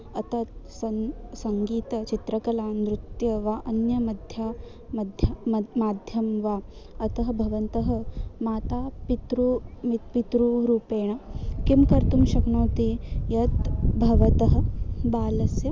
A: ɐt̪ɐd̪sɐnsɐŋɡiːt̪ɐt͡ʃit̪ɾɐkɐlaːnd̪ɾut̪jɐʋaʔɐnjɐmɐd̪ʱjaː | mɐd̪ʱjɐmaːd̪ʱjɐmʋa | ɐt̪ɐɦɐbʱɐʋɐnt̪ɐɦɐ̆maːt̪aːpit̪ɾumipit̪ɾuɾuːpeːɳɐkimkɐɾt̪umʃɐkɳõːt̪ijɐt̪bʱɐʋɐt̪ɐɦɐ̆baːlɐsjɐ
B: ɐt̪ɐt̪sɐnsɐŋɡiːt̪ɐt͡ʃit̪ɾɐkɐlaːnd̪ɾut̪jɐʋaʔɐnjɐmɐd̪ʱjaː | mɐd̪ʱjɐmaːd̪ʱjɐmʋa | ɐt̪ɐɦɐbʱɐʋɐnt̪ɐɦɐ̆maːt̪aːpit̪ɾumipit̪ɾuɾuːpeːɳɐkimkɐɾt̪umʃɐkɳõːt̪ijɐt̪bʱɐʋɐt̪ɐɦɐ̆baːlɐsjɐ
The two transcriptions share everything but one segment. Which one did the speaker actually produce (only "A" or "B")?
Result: B